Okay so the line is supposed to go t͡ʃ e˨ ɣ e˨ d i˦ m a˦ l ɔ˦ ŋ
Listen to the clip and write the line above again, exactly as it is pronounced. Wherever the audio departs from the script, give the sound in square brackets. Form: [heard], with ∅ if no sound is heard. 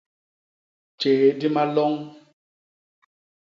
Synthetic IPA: t͡ʃ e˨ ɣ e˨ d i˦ m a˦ l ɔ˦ ŋ